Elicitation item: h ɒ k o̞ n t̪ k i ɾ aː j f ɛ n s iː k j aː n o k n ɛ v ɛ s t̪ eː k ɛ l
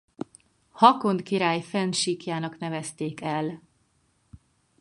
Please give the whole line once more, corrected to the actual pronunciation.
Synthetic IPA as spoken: h ɒ k o̞ n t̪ k i ɾ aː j f ɛ n ʃ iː k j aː n ɒ k n ɛ v ɛ s t̪ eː k ɛ l